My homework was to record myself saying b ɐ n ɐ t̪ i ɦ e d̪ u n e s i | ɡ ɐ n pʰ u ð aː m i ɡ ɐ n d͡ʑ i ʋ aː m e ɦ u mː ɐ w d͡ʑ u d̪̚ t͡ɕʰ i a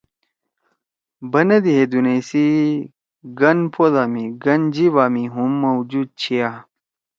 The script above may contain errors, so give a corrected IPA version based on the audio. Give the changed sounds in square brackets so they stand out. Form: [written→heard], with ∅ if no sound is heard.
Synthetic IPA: b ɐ n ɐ [t̪→d̪] i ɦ e d̪ u n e s i | ɡ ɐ n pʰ [u→o] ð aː m i ɡ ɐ n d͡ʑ i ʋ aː m [e→i] ɦ u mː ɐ w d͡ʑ u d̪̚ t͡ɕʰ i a